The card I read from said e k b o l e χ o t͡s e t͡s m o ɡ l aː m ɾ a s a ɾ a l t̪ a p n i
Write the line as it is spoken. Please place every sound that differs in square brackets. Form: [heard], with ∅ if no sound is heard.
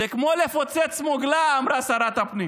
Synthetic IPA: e k [m] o l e [f] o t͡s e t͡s m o ɡ l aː m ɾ a s a ɾ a [∅] t̪ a p n i